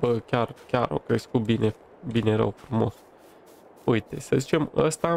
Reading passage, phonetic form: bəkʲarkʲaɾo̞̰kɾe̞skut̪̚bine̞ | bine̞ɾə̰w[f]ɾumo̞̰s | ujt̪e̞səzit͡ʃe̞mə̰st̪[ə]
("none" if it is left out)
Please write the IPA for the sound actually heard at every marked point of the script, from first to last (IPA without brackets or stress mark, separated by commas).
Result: f, a